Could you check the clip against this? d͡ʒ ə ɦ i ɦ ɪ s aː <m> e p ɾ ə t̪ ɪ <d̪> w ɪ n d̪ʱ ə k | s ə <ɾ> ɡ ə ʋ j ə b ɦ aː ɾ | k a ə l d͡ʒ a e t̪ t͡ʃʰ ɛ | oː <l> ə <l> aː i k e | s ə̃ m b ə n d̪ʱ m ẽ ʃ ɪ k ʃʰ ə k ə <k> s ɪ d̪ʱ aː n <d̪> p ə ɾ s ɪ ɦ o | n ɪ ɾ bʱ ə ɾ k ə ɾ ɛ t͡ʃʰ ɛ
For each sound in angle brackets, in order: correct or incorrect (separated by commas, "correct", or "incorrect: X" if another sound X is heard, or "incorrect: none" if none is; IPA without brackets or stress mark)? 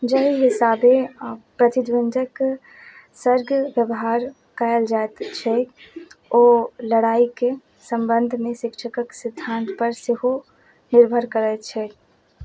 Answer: incorrect: b, correct, correct, correct, incorrect: ɽ, correct, incorrect: t̪